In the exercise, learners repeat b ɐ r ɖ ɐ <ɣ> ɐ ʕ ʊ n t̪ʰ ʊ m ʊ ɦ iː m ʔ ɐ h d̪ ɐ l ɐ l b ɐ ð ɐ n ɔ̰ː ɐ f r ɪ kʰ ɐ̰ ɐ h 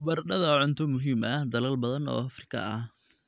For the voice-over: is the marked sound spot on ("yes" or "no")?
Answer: no